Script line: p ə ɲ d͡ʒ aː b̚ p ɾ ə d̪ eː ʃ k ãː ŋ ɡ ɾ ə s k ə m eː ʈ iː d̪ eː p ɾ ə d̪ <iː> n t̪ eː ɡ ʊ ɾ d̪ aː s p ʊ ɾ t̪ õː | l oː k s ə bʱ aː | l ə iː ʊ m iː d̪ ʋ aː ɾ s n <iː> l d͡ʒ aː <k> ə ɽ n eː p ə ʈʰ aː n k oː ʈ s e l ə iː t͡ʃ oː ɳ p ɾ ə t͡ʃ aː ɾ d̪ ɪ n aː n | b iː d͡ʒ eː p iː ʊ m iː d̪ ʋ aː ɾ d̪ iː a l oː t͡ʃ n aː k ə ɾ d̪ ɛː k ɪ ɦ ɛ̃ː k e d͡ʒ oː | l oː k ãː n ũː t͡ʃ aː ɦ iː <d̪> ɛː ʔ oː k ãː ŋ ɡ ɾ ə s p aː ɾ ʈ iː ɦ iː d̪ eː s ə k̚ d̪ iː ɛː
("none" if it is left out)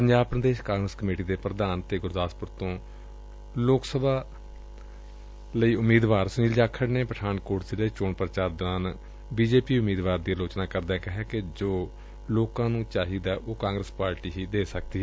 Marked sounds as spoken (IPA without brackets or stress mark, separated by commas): aː, iː, kʰ, d̪